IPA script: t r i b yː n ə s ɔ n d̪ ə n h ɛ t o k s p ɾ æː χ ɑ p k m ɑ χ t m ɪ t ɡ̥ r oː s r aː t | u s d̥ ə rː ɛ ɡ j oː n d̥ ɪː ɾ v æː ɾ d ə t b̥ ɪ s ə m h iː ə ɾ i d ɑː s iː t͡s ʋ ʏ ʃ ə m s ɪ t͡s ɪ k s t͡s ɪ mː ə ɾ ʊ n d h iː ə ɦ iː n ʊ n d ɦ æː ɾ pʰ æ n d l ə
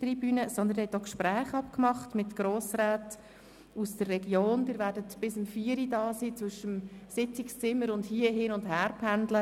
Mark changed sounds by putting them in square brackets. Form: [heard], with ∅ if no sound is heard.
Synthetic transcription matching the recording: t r i b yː n ə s ɔ n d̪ ə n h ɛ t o k [ʃ] p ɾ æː χ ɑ p k m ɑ χ t m ɪ t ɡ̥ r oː s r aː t | u s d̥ ə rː ɛ ɡ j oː n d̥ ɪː ɾ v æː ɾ d ə t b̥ ɪ s ə m [f] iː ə ɾ i d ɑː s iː t͡s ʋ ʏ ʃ ə m s ɪ t͡s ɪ k s t͡s ɪ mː ə ɾ ʊ n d h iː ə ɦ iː n ʊ n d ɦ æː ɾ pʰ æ n d l ə